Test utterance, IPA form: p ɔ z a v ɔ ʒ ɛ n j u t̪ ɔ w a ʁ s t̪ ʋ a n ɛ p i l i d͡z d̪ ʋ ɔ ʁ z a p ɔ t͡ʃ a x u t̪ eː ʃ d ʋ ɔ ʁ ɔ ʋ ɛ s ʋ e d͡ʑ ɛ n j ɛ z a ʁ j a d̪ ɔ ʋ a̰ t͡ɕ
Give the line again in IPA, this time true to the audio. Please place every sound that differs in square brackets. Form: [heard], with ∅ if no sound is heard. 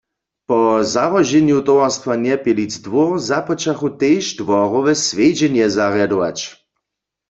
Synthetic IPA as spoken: p ɔ z a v ɔ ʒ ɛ n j u t̪ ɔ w a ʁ s t̪ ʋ a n ɛ p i l i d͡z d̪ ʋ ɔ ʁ z a p ɔ t͡ʃ a x u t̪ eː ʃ d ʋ ɔ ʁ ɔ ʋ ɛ s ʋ e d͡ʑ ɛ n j ɛ z a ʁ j a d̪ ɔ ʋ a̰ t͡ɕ